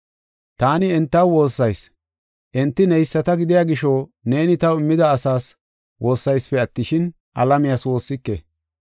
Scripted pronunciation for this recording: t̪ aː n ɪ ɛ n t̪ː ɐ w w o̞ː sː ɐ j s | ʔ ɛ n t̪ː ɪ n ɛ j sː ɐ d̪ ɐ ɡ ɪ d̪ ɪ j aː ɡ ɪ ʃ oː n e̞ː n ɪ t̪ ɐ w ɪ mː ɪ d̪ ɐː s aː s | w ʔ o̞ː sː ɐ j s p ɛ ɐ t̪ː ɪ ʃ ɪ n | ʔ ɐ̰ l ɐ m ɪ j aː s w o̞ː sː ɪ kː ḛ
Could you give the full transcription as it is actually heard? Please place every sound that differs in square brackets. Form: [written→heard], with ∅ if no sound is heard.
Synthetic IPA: t̪ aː n ɪ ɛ n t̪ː ɐ w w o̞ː sː ɐ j s | ʔ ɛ n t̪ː ɪ n ɛ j sː ɐ [d̪→t̪] ɐ ɡ ɪ d̪ ɪ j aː ɡ ɪ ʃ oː n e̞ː n ɪ t̪ ɐ w ɪ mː ɪ d̪ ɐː s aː s | w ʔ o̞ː sː ɐ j s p ɛ ɐ t̪ː ɪ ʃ ɪ n | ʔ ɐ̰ l ɐ m ɪ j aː s w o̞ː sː ɪ kː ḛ